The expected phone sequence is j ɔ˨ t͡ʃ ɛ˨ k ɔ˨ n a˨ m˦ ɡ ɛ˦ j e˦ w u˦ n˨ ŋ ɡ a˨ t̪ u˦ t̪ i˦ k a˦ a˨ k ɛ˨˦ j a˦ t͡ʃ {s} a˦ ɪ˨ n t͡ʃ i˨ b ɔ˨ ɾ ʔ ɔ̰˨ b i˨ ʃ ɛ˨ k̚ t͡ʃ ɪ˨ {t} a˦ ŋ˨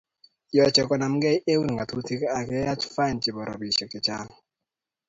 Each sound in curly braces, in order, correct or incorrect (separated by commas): incorrect, incorrect